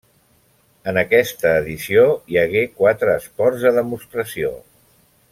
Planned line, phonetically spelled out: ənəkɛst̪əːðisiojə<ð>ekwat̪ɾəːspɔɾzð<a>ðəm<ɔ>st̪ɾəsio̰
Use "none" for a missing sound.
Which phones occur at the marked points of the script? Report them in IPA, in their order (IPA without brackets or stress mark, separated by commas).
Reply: ɣ, ə, u